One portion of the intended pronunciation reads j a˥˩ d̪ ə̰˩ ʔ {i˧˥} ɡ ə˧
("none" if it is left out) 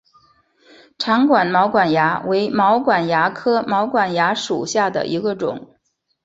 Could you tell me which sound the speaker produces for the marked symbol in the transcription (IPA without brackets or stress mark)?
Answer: i˧˥